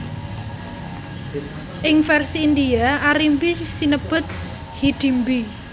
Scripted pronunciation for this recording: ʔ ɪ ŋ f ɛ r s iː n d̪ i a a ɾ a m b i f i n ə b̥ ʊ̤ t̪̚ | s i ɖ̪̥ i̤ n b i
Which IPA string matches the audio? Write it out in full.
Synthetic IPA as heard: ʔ ɪ ŋ f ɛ r s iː n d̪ i a a ɾ i m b i s i n ə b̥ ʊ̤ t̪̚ | h i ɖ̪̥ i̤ m b i